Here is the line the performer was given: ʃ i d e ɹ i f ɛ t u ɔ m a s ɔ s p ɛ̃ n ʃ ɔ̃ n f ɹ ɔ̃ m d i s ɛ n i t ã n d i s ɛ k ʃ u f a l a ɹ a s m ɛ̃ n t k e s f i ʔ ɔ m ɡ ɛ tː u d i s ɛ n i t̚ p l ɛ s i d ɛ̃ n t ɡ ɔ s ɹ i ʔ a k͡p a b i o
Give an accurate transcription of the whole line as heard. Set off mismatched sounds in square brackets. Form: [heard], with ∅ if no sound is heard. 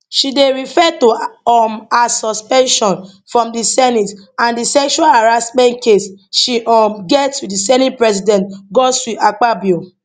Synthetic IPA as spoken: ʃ i d e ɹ i f ɛ t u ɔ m a s ɔ s p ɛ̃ n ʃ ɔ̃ n f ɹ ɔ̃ m d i s ɛ n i t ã n d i s ɛ k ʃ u [∅] a l a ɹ a s m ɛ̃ n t k e s [ʃ] i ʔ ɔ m ɡ ɛ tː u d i s ɛ n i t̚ p [ɹ] ɛ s i d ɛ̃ n t ɡ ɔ s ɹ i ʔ a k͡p a b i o